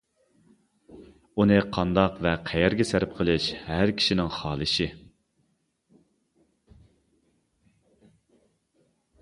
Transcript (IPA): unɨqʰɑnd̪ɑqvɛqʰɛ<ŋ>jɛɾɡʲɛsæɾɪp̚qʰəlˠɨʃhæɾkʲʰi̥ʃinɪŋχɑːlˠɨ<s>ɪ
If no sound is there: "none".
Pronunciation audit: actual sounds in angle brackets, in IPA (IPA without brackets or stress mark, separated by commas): none, ʃ